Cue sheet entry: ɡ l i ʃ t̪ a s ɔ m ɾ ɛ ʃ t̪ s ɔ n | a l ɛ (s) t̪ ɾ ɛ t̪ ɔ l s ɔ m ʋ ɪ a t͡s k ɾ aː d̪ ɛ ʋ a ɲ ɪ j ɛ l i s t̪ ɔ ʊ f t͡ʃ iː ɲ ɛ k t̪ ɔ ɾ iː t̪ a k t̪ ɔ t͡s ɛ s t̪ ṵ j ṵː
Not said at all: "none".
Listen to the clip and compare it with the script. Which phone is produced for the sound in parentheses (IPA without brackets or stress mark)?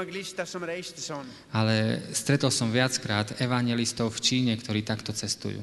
s